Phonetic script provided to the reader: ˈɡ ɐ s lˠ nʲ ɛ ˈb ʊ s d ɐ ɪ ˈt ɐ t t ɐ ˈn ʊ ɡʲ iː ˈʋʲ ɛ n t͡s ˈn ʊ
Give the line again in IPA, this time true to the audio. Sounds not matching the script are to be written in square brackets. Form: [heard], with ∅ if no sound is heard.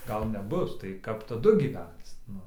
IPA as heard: ˈɡ ɐ [∅] lˠ nʲ ɛ ˈb ʊ s [t] ɐ ɪ [ˈk] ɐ [p] t ɐ [ˈd] ʊ ɡʲ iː ˈʋʲ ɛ n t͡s ˈn ʊ